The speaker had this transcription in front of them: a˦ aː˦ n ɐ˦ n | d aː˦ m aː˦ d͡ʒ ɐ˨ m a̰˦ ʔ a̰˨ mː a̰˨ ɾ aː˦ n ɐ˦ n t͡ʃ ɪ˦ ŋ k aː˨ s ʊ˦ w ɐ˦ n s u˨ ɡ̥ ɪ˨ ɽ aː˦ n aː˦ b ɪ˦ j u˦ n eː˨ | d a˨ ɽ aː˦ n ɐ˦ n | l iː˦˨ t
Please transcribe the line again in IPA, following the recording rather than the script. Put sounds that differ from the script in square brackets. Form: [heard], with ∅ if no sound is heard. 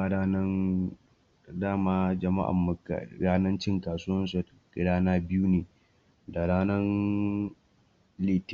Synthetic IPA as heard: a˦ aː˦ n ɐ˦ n | d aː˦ m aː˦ d͡ʒ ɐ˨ m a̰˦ ʔ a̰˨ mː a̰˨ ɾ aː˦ n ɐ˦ n t͡ʃ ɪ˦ ŋ k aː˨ s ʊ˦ w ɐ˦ n s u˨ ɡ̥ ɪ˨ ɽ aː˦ n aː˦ b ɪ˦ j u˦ n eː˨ | d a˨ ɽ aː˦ n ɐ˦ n | l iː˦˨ t

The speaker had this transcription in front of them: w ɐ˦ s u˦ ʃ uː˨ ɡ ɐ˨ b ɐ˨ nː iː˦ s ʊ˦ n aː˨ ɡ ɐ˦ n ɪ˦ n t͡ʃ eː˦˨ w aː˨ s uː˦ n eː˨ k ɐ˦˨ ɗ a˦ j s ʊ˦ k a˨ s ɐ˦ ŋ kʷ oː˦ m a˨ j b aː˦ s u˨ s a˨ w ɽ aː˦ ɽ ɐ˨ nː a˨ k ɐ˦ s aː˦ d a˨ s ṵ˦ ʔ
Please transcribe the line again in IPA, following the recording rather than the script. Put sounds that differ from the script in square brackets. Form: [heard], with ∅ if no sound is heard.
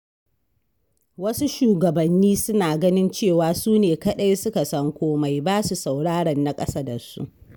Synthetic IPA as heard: w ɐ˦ s u˦ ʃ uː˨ ɡ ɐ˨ b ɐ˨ nː iː˦ s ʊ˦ n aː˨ ɡ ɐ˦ n ɪ˦ n t͡ʃ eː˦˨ w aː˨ s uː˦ n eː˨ k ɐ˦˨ ɗ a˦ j s ʊ˦ k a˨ s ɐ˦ ŋ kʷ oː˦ m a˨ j b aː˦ s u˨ s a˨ w ɽ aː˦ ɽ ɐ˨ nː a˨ [kʼ] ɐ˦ s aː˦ d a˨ s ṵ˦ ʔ

